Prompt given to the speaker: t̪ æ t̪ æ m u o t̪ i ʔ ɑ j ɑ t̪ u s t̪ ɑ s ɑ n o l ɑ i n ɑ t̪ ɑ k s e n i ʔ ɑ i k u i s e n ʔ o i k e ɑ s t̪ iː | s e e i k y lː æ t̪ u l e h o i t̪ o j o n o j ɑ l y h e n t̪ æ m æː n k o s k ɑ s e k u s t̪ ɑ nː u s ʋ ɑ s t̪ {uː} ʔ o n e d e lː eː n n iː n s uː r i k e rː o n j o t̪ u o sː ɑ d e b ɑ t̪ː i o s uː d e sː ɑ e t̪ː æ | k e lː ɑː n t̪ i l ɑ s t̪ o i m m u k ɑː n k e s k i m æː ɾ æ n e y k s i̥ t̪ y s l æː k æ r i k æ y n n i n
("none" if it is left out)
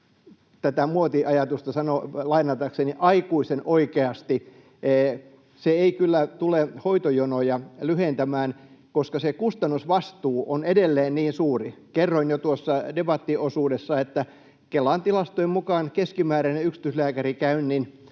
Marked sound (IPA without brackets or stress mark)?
uː